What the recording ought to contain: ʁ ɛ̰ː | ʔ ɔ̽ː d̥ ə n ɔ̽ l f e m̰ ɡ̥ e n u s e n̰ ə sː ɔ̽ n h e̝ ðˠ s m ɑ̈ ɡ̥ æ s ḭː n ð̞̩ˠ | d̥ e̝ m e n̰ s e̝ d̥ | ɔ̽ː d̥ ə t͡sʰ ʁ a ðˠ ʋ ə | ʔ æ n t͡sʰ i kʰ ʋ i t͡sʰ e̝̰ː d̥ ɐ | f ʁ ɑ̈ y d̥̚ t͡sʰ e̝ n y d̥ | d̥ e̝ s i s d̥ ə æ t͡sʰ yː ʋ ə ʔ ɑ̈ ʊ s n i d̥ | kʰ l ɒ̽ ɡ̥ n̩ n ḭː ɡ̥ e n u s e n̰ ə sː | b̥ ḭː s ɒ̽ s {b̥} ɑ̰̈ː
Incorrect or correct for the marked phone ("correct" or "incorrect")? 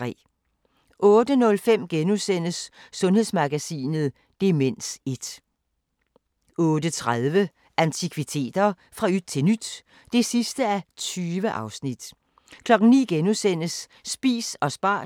correct